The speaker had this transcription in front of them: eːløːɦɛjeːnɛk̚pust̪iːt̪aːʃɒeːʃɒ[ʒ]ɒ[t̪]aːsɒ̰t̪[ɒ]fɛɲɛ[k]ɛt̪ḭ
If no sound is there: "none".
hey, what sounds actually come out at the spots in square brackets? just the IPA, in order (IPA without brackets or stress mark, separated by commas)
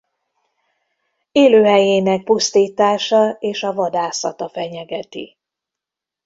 v, d̪, ɒ, ɡ